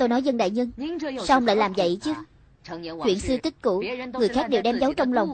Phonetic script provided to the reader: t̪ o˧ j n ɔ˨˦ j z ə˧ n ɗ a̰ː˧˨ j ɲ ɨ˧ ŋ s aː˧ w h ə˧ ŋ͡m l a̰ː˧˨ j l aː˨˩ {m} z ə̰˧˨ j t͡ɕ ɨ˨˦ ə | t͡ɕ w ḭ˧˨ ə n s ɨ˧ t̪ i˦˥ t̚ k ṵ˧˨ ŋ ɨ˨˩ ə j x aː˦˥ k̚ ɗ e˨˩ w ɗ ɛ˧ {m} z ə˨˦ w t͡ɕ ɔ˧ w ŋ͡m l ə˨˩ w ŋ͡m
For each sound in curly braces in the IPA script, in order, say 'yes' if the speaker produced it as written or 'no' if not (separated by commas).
yes, yes